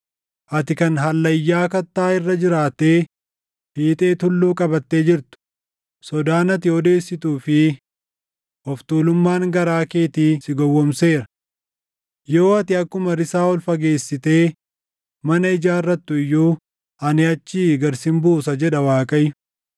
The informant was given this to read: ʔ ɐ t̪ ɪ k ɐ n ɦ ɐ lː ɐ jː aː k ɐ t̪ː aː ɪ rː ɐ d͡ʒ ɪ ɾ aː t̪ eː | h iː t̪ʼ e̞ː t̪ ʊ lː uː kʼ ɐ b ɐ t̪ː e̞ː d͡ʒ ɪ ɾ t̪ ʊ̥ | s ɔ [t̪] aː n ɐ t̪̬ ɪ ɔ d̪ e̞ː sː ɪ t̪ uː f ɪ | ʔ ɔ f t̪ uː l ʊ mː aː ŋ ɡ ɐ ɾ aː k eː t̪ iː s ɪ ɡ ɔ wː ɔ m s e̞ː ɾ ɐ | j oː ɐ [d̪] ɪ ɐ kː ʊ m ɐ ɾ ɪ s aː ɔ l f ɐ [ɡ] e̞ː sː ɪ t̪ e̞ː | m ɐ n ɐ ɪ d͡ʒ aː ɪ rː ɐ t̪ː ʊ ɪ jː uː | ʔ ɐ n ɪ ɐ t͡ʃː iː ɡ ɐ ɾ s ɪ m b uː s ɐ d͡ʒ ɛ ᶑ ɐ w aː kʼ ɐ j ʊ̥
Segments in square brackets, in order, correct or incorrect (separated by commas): incorrect, incorrect, correct